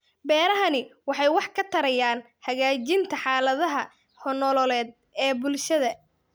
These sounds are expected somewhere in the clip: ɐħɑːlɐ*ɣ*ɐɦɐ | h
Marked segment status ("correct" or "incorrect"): incorrect